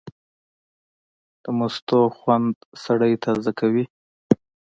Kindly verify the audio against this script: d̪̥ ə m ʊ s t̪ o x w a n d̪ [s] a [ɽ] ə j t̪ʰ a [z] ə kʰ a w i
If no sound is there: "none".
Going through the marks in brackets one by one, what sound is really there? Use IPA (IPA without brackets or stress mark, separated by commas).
s, ɽ, z